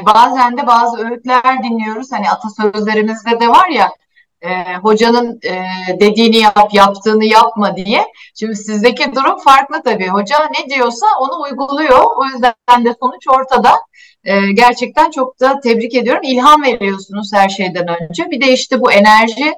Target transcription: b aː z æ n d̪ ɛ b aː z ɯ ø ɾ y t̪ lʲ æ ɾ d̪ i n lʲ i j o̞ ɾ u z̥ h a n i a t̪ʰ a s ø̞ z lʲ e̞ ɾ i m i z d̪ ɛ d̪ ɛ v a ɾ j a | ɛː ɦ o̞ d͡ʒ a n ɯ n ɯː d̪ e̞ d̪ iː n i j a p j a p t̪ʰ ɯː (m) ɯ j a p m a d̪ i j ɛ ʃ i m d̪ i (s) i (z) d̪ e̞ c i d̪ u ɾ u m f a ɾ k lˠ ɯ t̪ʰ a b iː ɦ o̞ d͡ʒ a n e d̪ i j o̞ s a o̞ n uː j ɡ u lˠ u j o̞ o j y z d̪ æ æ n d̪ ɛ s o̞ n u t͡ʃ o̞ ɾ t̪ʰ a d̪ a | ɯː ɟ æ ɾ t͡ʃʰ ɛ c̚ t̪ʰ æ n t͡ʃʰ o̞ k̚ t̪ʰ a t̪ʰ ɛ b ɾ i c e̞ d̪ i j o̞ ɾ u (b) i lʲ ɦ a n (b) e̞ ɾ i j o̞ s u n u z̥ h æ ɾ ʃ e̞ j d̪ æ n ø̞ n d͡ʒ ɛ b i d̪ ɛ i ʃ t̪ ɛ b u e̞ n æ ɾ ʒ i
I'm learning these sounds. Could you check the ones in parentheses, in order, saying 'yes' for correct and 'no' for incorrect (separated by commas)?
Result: no, yes, yes, no, no